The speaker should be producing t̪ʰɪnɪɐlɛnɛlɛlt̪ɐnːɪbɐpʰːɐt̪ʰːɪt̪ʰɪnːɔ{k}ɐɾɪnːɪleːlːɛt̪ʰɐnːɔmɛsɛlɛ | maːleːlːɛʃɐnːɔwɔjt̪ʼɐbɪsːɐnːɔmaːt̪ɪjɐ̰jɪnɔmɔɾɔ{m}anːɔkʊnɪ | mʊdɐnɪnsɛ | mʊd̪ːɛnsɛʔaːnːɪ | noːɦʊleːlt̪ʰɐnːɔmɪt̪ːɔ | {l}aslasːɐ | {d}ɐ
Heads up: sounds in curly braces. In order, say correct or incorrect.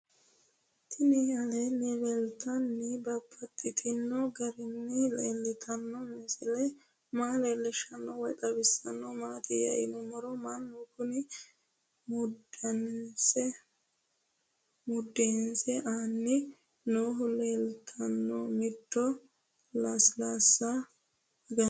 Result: incorrect: ɡ, correct, correct, incorrect: ɡ

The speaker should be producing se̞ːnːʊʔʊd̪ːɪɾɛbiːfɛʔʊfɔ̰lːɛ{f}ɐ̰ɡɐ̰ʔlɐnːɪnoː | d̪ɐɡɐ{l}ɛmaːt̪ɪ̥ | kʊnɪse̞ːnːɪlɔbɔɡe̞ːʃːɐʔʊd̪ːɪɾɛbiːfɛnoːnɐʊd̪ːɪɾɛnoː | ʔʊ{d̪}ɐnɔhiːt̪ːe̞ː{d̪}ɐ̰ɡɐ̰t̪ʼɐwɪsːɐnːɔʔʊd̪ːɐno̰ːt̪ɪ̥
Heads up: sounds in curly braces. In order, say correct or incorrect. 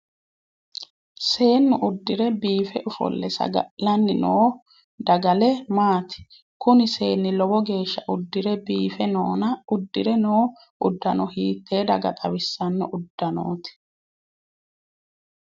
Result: incorrect: s, correct, incorrect: d̪ː, correct

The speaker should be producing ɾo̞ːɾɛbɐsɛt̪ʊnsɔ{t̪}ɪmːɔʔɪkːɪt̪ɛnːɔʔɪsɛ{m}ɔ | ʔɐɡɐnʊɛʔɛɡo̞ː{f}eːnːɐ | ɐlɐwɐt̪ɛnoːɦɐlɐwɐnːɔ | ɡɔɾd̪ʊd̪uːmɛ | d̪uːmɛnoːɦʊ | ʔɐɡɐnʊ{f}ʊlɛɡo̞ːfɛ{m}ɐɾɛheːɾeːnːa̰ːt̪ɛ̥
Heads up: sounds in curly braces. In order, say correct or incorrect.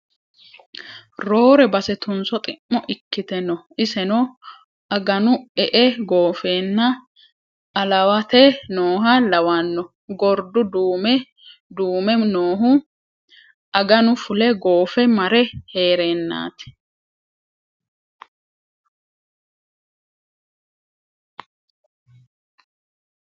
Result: incorrect: t̪ʼ, incorrect: n, correct, correct, correct

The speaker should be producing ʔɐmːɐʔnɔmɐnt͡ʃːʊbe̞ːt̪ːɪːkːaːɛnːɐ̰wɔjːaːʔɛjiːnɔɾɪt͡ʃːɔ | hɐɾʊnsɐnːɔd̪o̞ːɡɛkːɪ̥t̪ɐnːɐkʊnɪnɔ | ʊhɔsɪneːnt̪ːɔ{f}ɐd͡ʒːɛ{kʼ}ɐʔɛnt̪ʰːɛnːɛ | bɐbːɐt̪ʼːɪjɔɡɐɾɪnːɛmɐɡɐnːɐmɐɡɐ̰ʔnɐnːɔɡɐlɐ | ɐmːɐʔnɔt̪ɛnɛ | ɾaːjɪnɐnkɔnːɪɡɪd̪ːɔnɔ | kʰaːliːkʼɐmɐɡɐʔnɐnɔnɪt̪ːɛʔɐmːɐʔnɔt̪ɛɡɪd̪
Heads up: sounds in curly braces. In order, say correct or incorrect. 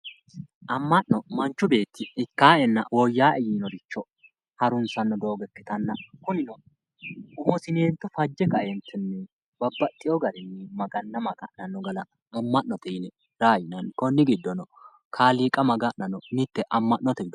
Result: correct, incorrect: k

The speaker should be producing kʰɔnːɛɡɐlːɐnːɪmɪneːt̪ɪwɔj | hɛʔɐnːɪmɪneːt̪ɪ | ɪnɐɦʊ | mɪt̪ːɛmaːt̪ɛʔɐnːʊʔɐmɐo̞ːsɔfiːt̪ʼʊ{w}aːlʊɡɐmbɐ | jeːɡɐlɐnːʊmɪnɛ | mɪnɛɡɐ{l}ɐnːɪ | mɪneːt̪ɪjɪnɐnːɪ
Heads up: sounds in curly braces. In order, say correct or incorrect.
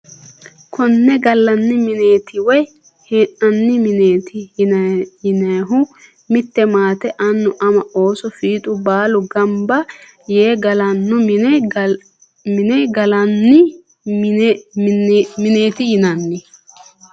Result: incorrect: b, correct

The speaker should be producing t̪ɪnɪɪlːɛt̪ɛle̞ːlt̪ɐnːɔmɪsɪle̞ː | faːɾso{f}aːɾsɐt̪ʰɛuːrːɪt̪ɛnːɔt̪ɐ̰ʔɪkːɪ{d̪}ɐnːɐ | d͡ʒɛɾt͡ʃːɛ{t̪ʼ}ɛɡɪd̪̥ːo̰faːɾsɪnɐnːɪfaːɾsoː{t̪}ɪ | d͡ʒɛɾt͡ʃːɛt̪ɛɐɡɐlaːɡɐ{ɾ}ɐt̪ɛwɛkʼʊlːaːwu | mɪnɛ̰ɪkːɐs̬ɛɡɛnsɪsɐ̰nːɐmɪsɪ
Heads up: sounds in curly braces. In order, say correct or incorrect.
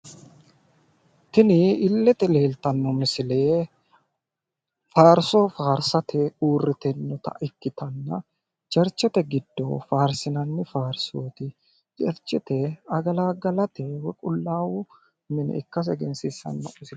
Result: correct, incorrect: t̪, incorrect: t̪, correct, incorrect: l

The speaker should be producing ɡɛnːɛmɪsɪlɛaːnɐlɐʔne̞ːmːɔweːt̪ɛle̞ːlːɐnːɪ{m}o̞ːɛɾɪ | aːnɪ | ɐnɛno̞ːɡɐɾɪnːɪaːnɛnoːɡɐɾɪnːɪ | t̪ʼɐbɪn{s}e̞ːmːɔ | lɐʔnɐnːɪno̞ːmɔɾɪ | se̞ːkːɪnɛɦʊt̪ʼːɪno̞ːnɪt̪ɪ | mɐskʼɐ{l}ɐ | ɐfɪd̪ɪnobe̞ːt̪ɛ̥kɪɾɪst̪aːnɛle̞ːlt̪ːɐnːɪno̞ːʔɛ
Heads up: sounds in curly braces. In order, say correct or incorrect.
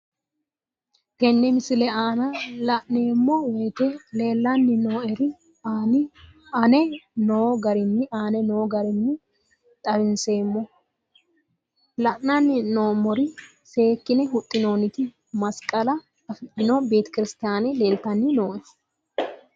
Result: incorrect: n, correct, correct

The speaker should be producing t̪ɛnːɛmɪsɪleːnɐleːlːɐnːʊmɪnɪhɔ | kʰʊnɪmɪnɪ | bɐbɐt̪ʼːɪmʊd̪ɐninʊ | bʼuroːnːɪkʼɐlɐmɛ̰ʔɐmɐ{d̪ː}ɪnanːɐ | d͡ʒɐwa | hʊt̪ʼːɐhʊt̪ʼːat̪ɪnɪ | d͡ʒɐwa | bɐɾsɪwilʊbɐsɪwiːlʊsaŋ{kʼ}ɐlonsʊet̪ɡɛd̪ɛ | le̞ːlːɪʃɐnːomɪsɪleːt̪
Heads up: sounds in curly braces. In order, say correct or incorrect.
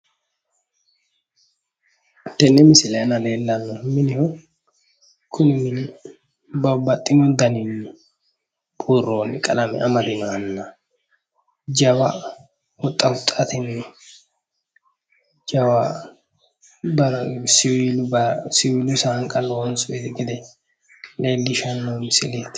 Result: incorrect: d̪, correct

